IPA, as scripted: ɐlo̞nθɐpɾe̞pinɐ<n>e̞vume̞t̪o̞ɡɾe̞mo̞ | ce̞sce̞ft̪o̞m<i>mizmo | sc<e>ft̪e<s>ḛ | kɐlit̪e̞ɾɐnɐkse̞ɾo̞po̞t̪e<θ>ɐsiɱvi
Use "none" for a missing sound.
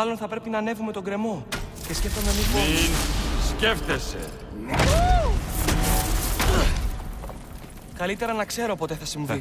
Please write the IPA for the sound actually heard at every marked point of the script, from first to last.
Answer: n, e, e, s, θ

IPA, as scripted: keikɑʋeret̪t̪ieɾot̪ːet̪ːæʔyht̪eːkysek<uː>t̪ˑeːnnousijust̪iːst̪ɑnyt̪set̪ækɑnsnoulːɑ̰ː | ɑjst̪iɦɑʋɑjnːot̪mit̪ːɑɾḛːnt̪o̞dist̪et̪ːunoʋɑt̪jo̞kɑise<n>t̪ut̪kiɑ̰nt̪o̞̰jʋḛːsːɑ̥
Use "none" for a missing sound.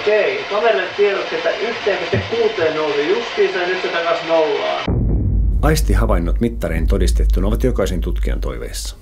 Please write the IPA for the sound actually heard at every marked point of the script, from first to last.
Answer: uː, n

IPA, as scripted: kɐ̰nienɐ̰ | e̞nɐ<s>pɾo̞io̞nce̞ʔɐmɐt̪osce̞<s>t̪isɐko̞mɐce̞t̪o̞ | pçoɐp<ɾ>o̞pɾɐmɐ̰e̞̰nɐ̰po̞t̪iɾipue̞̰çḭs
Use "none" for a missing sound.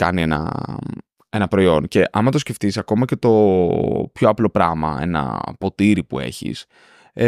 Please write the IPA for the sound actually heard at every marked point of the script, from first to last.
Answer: none, f, l

